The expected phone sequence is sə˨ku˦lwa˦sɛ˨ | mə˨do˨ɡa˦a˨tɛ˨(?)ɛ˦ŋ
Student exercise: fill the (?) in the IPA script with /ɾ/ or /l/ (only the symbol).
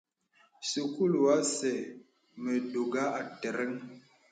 ɾ